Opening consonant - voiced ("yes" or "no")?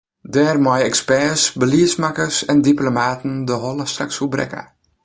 yes